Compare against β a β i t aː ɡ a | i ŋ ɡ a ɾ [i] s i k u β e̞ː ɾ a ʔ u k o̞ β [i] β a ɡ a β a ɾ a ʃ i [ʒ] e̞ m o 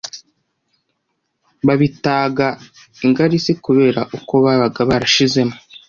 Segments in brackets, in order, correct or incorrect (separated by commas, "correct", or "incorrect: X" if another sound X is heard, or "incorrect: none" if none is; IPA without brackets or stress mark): correct, incorrect: a, incorrect: z